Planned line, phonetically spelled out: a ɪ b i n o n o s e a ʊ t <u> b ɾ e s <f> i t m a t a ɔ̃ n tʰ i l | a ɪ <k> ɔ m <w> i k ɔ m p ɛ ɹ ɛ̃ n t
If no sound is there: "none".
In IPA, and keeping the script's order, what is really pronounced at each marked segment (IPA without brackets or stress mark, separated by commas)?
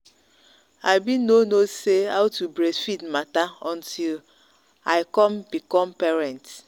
u, f, k, b